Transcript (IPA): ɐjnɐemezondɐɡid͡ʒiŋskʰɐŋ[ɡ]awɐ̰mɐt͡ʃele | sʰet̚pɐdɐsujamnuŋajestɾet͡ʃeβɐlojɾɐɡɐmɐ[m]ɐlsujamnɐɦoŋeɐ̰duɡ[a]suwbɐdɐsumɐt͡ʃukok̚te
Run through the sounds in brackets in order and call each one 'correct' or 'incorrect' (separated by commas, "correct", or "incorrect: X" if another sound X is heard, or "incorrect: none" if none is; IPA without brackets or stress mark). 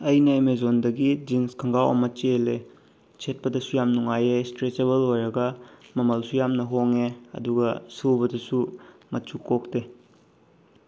correct, correct, incorrect: ɐ